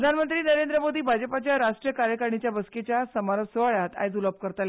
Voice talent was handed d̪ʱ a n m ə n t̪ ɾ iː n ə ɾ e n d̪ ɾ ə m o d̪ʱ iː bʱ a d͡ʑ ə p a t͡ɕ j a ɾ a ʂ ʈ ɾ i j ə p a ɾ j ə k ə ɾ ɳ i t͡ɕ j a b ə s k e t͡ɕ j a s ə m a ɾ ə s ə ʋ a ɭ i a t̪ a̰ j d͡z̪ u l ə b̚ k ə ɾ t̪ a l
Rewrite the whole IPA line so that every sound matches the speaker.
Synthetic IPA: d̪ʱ a n m ə n t̪ ɾ iː n ə ɾ e n d̪ ɾ ə m o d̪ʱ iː bʱ a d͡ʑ ə p a t͡ɕ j a ɾ a ʂ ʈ ɾ i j ə k a ɾ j ə k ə ɾ ɳ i t͡ɕ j a b ə s k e t͡ɕ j a s ə m a ɾ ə s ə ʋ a ɭ j a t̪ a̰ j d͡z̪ u l ə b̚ k ə ɾ t̪ a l